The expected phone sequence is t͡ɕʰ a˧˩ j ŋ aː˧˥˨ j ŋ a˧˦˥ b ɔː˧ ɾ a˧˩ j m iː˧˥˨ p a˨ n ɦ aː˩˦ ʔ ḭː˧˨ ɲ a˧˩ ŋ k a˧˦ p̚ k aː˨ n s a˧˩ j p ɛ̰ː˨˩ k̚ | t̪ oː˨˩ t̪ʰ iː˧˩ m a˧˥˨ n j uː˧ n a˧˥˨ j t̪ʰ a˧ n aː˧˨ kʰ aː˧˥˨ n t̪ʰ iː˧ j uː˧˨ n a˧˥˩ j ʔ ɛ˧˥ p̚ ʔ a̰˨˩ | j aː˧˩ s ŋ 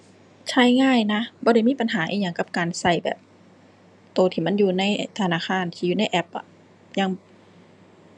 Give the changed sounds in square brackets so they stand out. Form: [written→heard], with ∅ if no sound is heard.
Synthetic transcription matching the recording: t͡ɕʰ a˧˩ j ŋ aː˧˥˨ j [ŋ→n] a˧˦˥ b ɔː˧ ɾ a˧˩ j m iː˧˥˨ p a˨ n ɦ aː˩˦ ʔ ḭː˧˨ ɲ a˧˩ ŋ k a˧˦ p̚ k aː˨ n s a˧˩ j [p→b] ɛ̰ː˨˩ [k̚→p̚] | t̪ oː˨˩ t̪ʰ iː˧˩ m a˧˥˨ n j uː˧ n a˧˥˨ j t̪ʰ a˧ n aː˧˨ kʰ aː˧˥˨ n t̪ʰ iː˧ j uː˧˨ n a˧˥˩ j ʔ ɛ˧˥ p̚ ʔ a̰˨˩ | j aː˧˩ [s→∅] ŋ